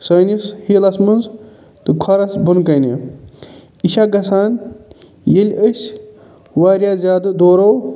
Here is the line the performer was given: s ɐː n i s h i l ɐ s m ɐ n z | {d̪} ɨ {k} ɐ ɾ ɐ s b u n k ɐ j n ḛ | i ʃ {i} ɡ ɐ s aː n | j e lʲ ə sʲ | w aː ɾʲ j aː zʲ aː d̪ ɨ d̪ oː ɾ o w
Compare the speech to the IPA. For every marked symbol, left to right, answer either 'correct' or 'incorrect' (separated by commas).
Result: incorrect, incorrect, incorrect